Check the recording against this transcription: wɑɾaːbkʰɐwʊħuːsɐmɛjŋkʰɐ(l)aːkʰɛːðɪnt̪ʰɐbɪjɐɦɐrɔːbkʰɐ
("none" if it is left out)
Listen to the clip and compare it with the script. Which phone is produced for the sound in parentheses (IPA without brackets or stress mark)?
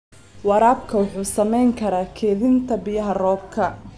ɾ